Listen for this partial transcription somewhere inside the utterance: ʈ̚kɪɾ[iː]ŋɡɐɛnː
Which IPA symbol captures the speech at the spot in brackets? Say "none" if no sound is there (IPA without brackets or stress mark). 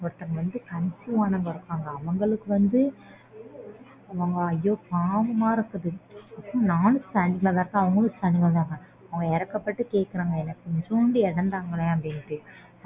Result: aː